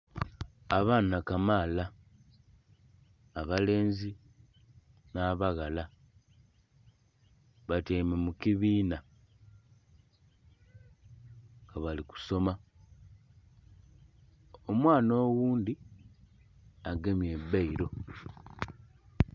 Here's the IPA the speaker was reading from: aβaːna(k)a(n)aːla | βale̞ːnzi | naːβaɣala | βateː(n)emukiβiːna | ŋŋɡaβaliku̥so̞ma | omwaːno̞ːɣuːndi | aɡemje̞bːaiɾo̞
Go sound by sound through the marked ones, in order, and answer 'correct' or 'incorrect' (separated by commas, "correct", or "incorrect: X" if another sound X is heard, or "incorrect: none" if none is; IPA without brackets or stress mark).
correct, incorrect: m, incorrect: m